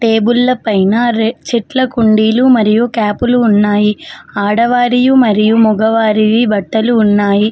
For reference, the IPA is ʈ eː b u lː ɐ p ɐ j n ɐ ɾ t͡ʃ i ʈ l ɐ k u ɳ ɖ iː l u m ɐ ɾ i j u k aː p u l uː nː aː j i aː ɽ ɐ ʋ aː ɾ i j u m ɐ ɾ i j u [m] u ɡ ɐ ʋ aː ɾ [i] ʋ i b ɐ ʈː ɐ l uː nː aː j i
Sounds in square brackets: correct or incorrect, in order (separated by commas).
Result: correct, correct